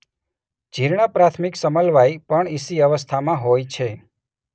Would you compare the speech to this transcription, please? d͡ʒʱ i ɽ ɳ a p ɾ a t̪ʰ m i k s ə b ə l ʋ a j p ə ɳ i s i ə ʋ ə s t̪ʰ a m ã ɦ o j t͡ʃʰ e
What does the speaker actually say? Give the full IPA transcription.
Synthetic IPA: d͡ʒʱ i ɾ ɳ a p ɾ a t̪ʰ m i k s ə m ə l ʋ a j p ə ɳ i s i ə ʋ ə s t̪ʰ a m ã ɦ o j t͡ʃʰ e